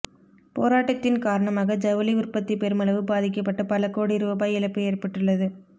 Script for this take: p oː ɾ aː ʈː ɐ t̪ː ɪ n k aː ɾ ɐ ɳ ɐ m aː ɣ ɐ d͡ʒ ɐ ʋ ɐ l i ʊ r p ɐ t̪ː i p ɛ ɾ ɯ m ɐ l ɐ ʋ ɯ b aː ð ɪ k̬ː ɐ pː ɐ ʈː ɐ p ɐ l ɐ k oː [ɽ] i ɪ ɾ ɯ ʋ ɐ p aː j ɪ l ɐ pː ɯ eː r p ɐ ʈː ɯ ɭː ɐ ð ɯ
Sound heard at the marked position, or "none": ɽ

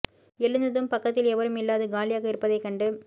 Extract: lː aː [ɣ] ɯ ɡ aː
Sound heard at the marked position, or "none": ð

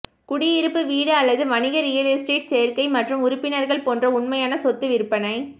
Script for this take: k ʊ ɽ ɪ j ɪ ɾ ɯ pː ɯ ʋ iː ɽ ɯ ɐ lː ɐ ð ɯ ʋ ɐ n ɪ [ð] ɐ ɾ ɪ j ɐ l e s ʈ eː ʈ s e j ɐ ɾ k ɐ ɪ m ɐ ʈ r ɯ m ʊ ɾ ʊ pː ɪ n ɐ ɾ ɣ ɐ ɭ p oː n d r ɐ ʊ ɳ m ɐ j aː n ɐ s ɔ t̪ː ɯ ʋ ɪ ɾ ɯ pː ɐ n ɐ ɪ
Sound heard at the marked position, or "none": ɣ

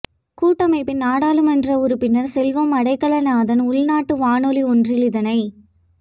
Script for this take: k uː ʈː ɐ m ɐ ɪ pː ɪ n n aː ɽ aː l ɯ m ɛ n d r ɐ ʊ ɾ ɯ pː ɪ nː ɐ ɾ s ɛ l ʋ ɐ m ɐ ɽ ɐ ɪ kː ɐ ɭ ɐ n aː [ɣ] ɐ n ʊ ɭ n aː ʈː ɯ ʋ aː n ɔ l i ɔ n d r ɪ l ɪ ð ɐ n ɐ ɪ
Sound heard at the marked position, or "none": ð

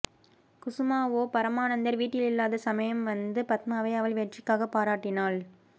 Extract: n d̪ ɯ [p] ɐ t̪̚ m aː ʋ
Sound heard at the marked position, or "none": p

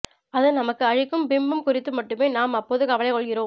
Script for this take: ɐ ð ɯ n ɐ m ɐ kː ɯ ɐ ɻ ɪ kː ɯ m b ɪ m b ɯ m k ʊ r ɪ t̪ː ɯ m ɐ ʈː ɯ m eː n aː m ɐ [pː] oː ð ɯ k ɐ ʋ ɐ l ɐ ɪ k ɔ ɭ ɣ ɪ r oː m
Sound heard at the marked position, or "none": pː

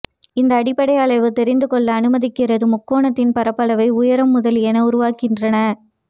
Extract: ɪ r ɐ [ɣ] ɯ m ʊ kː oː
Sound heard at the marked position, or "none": ð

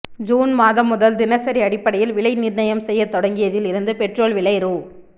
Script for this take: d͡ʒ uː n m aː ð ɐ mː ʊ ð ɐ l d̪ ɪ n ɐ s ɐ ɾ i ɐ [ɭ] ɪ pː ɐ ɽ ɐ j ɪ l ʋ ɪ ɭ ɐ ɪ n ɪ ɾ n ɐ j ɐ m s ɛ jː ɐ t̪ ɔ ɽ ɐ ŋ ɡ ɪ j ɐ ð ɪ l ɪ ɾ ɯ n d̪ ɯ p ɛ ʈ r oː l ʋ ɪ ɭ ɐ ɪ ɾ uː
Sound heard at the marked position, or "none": ɽ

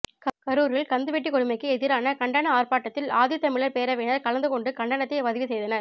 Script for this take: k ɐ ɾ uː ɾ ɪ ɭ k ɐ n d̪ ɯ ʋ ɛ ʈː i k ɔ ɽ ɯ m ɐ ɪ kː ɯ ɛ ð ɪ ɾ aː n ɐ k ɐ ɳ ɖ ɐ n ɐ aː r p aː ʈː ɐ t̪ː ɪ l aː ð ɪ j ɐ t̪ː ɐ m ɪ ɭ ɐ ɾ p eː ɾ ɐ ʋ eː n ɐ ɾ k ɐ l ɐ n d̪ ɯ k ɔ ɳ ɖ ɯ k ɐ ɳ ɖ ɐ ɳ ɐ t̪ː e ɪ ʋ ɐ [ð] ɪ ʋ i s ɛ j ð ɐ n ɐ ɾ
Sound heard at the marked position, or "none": ð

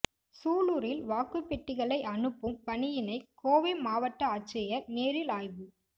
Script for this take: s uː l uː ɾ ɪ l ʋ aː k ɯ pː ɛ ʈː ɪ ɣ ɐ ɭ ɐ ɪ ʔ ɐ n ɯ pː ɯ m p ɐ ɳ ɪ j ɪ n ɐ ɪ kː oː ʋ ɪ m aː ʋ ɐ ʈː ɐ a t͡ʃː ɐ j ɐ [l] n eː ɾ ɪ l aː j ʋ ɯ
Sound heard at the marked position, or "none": ɾ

